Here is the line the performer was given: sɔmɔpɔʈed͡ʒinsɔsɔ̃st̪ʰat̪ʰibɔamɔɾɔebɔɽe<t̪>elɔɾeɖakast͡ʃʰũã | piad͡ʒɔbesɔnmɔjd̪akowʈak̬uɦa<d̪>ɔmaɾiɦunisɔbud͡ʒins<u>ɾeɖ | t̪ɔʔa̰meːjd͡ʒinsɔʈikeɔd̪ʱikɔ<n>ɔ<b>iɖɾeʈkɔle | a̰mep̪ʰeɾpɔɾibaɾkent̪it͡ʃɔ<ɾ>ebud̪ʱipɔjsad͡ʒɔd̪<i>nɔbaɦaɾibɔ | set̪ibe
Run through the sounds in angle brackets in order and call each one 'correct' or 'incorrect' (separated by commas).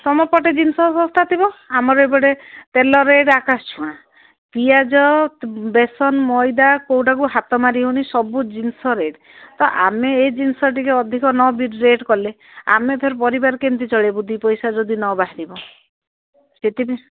correct, incorrect, incorrect, correct, correct, incorrect, correct